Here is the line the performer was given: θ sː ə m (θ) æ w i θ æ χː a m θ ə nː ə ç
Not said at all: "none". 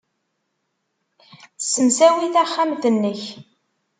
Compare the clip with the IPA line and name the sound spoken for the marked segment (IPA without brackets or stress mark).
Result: s